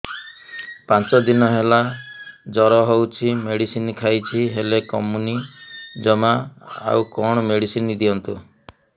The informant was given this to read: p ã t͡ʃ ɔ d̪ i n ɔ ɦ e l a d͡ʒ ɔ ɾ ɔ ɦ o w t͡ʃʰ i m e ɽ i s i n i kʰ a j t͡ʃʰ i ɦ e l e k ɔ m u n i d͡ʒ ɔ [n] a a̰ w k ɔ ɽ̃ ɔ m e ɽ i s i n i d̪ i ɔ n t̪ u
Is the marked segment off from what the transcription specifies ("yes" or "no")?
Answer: yes